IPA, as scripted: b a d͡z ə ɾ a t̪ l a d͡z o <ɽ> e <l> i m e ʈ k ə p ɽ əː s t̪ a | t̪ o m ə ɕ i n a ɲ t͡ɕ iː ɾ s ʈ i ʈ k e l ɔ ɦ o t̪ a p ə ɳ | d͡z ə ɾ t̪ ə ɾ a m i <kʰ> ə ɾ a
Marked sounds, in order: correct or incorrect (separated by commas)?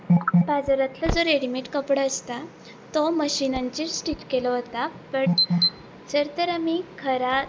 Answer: incorrect, incorrect, correct